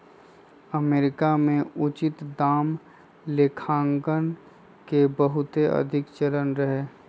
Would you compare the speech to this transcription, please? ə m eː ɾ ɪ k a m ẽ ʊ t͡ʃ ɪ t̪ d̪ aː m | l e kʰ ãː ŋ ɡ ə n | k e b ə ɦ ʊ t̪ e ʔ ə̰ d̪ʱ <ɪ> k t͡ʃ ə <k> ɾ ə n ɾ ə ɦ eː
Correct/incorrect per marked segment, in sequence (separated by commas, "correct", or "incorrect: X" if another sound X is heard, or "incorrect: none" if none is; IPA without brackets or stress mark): correct, incorrect: none